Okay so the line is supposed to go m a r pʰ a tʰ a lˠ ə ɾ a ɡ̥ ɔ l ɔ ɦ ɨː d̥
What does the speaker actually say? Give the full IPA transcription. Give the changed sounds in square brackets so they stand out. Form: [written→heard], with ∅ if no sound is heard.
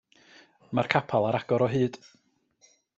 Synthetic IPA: m a r [pʰ→kʰ] a [tʰ→pʰ] a lˠ [ə→a] ɾ a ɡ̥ ɔ [l→ɾ] ɔ ɦ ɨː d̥